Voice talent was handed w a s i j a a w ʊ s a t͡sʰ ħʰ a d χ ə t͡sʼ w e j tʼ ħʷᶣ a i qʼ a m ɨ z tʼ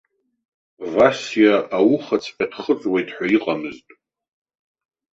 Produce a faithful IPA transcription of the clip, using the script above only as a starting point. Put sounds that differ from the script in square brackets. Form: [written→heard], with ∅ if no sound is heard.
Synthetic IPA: [w→v] a s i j a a w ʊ [s→χ] a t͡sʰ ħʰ a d χ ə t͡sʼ w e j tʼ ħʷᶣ a i qʼ a m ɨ z tʼ